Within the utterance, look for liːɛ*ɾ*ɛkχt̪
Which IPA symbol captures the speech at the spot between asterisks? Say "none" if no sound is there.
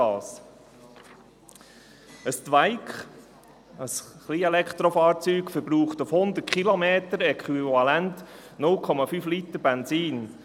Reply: l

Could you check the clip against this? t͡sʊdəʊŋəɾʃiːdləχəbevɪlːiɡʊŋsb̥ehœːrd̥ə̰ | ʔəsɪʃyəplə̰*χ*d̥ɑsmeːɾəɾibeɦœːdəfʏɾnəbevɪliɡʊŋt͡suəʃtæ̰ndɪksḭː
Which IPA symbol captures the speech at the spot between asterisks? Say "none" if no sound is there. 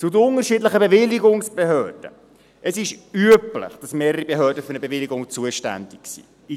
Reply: χ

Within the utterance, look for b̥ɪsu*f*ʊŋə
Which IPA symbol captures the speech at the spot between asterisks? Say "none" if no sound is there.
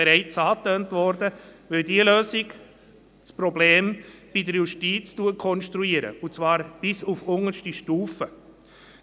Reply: f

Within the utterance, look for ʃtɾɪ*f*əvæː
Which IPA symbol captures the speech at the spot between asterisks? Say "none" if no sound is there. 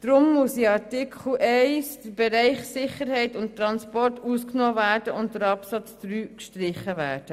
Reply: χ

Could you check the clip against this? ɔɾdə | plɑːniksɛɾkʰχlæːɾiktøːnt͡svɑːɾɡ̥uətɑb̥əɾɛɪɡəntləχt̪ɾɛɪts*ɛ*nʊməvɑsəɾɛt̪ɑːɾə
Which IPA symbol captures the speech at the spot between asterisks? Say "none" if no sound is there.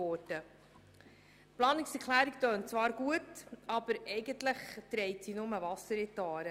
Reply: i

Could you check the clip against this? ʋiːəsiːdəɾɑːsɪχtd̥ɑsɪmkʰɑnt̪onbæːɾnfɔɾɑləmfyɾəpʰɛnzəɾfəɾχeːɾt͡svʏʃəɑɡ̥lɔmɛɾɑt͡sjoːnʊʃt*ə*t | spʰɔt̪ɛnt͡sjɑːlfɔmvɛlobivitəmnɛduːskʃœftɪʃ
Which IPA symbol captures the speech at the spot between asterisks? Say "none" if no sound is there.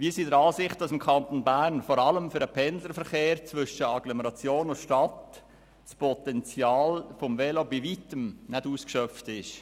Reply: ɑ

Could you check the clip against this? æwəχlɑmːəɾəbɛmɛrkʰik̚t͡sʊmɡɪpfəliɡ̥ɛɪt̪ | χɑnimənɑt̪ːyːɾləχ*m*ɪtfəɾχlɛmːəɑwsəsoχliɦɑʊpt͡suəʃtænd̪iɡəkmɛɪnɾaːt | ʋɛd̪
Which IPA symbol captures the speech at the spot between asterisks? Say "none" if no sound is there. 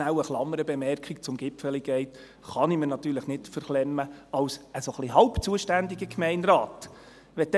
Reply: n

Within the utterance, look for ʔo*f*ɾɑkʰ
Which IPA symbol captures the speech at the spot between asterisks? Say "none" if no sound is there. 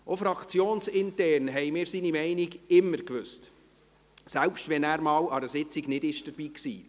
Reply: f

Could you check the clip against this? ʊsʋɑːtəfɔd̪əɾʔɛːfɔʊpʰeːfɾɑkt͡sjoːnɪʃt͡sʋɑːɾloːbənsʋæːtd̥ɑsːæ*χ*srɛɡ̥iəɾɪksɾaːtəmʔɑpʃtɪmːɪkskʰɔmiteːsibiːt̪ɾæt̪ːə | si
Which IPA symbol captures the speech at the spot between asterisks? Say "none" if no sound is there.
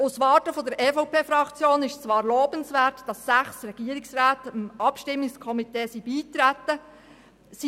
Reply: χ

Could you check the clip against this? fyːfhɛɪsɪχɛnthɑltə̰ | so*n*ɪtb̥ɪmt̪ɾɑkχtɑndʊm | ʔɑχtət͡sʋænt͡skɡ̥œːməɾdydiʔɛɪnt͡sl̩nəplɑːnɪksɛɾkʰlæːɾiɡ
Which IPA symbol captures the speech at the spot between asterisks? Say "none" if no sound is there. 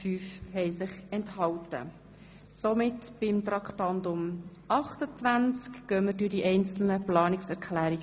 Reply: m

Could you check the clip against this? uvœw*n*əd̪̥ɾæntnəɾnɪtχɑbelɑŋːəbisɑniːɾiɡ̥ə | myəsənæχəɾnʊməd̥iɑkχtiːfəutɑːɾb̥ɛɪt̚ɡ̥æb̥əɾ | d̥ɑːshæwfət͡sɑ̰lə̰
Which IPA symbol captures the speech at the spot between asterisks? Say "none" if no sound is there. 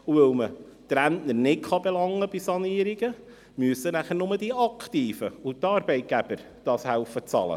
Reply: m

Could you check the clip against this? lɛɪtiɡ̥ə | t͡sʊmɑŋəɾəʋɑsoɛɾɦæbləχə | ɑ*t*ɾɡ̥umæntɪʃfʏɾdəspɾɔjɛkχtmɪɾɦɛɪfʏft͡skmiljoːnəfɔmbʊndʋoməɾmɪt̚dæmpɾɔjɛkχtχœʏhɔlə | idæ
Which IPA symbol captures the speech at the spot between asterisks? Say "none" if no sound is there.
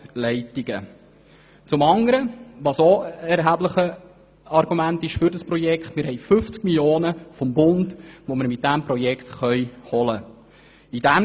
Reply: none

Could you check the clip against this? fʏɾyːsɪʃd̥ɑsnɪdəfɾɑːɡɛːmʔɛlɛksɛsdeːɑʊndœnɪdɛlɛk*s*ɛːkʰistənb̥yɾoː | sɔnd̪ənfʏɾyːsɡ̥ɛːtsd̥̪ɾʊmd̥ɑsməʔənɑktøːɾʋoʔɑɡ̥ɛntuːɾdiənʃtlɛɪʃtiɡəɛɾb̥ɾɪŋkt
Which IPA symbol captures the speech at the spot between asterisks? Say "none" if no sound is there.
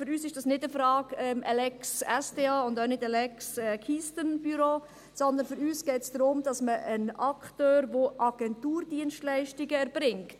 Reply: s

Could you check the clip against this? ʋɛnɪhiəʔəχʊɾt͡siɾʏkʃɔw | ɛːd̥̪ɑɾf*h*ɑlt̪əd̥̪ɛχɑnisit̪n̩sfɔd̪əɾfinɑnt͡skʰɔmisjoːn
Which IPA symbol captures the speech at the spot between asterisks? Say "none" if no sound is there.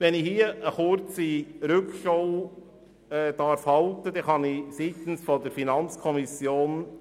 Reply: h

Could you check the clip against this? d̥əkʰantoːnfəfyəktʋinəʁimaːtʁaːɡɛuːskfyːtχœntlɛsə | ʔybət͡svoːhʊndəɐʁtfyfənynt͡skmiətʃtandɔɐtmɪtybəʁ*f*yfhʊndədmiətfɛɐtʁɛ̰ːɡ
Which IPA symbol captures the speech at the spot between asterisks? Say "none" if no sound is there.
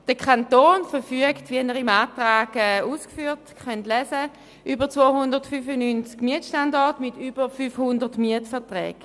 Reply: f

